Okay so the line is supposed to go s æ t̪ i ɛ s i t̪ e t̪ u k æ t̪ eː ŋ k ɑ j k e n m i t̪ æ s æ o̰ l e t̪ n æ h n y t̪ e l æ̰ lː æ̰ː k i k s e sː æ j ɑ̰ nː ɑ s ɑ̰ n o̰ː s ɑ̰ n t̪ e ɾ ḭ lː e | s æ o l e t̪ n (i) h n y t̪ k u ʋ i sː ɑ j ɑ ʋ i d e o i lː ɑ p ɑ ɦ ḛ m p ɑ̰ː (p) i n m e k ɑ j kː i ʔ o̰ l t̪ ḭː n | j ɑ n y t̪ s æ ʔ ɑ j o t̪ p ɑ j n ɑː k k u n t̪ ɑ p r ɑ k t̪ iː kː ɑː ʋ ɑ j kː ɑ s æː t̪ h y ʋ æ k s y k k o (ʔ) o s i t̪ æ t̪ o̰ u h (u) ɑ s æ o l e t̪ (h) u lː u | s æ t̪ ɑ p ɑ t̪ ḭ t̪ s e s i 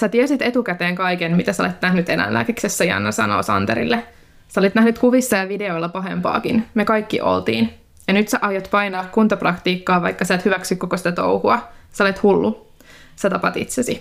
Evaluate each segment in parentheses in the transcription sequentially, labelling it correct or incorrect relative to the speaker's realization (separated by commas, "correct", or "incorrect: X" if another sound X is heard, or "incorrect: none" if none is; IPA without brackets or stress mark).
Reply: incorrect: æ, incorrect: k, incorrect: k, correct, correct